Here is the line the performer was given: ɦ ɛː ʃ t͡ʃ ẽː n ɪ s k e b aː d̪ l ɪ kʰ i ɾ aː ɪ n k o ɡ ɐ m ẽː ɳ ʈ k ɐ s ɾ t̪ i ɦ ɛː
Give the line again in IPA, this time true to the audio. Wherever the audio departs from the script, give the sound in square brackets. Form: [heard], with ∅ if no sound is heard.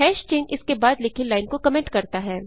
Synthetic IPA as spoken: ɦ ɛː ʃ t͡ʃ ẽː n ɪ s k e b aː d̪ l ɪ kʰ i [l] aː ɪ n k o [k] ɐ m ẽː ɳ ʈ k ɐ [∅] ɾ t̪ [a] ɦ ɛː